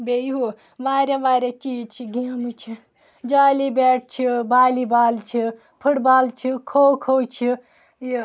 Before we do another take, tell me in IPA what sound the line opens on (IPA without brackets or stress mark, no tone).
b